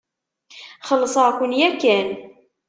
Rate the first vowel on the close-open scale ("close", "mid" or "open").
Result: mid